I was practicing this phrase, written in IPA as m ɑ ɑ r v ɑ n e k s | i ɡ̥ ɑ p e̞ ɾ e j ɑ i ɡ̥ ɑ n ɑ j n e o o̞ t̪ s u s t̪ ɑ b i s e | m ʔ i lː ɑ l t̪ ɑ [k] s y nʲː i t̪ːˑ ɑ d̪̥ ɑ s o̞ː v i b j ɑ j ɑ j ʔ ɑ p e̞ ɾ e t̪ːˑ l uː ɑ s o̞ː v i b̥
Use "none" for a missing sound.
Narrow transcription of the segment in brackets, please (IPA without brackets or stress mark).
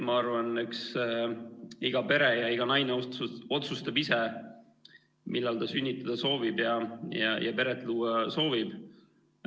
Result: none